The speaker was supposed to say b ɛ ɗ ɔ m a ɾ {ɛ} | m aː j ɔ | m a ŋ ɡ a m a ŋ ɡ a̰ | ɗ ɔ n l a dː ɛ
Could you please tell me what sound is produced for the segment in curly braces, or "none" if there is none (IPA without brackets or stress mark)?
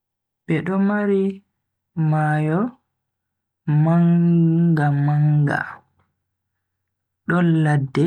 i